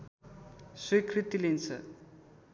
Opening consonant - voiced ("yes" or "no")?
no